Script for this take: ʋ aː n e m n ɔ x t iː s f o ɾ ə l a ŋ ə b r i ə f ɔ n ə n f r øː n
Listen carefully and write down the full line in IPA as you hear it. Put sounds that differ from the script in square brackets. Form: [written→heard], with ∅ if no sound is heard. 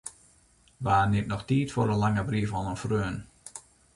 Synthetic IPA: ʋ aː n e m n ɔ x t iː [s→t] f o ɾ ə l a ŋ ə b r i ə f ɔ n ə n f r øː n